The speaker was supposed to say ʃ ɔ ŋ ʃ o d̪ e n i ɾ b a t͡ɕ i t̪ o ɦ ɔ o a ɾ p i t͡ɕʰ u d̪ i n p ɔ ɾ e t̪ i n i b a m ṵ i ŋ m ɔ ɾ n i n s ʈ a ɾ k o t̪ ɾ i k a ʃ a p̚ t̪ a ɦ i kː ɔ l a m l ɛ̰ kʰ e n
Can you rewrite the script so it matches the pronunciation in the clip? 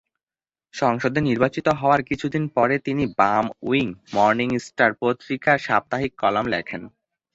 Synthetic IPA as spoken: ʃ ɔ ŋ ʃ o d̪ e n i ɾ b a t͡ɕ i t̪ o ɦ ɔ o a ɾ k i t͡ɕʰ u d̪ i n p ɔ ɾ e t̪ i n i b a m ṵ i ŋ m ɔ ɾ n i ŋ s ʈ a ɾ p o t̪ ɾ i k a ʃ a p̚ t̪ a ɦ i kː ɔ l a m l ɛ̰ kʰ e n